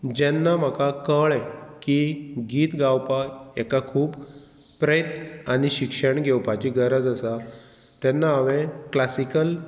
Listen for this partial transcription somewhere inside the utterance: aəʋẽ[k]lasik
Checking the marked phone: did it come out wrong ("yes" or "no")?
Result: no